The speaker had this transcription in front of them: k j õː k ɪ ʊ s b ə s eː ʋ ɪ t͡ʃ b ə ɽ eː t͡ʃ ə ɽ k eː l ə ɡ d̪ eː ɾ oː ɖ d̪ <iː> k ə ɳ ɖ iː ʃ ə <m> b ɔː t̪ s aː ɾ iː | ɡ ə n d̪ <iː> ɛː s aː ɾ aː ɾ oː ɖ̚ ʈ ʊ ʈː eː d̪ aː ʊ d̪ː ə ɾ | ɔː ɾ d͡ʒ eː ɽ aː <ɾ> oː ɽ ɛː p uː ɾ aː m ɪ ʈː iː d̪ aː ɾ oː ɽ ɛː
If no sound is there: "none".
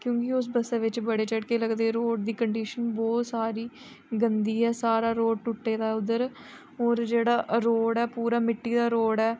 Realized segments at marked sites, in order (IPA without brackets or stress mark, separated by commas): iː, n, iː, ɾ